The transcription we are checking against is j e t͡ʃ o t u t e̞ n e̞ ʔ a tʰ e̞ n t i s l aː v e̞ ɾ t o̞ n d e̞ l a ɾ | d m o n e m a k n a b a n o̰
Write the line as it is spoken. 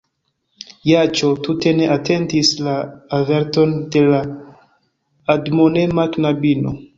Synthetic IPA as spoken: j a t͡ʃ o t u t e̞ n e̞ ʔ a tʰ e̞ n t i s l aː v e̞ ɾ t o̞ n d e̞ l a | d m o n e m a k n a b i n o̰